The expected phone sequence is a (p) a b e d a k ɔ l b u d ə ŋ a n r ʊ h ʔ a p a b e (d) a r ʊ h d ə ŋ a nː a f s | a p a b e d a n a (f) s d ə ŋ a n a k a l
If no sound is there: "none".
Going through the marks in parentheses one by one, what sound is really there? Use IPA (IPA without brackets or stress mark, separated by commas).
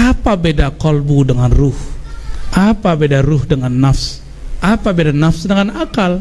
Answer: p, d, f